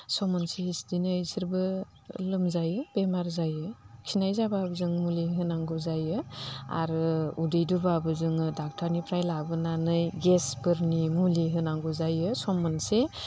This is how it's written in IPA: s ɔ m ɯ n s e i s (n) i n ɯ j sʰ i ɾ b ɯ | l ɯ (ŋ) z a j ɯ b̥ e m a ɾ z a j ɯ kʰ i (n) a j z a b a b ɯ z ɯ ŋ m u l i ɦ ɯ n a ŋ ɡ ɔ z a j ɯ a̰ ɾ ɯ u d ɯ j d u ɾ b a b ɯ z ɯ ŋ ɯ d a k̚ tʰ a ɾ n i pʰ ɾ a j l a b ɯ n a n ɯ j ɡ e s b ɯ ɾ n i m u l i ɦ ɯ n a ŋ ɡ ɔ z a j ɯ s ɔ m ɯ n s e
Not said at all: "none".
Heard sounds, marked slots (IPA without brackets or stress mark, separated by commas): d, m, n